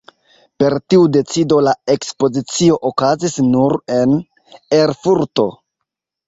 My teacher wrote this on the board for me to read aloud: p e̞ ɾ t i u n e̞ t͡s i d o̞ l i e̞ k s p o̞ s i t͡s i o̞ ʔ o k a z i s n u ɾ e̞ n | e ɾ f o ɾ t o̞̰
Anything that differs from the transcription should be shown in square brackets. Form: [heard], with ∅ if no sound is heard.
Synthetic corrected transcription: p e̞ ɾ t i u [d] e̞ t͡s i d o̞ l [a] e̞ k s p o̞ [z] i t͡s i o̞ ʔ o k a z i s n u ɾ e̞ n | e ɾ f [u] ɾ t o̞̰